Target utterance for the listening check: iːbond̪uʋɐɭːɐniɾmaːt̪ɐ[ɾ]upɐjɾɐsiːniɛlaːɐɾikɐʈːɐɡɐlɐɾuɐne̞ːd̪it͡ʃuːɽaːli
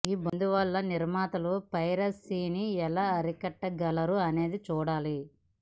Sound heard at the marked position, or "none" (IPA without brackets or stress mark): l